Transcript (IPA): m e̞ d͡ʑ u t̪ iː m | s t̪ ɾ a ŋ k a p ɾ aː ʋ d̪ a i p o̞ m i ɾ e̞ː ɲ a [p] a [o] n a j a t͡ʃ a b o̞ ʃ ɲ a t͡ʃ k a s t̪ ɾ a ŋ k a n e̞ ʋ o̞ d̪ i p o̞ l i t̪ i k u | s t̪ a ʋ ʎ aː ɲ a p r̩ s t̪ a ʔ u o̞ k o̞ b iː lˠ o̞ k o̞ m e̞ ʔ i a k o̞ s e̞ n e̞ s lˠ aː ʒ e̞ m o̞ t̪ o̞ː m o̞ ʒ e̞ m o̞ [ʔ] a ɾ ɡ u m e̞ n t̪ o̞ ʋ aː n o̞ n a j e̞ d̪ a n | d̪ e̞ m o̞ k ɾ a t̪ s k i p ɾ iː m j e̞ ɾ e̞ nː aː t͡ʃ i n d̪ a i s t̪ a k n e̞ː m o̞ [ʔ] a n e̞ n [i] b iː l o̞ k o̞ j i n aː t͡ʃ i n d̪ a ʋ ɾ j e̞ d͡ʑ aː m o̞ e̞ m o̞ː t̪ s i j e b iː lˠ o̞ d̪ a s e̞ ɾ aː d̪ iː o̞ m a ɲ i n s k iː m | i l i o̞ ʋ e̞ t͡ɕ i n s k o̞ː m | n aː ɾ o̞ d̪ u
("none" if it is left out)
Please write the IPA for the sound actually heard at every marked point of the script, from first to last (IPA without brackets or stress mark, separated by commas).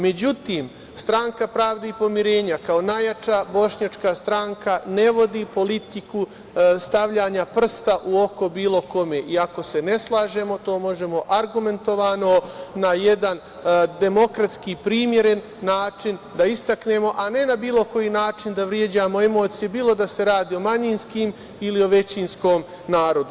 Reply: k, o, ʔ, ʔ, a